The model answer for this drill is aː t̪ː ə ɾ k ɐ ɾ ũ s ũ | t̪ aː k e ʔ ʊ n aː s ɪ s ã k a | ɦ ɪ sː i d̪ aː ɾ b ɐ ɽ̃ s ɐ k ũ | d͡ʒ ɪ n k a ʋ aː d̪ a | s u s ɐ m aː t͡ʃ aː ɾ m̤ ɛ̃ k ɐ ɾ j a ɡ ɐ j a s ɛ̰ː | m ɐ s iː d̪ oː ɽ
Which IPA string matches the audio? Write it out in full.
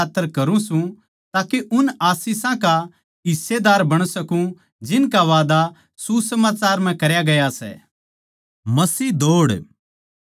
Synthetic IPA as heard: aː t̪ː ə ɾ k ɐ ɾ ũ s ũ | t̪ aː k e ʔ ʊ n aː s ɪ s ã k a | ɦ ɪ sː e d̪ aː ɾ b ɐ ɽ̃ s ɐ k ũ | d͡ʒ ɪ n k a ʋ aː d̪ a | s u s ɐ m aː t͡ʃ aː ɾ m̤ ɛ̃ k ɐ ɾ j a ɡ ɐ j a s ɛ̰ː | m ɐ s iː d̪ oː ɽ